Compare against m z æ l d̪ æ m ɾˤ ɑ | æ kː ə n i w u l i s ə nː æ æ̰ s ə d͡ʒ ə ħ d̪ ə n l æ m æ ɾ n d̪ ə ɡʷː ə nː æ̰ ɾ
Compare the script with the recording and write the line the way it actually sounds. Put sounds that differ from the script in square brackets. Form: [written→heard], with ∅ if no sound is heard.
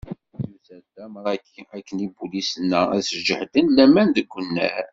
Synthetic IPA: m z æ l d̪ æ m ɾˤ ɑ | æ kː ə n i [w→b] u l i s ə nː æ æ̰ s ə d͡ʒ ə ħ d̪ ə n l æ m æ [ɾ→∅] n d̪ ə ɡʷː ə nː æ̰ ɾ